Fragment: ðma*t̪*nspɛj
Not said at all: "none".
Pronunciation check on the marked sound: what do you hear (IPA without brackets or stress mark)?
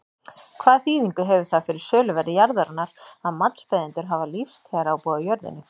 t̪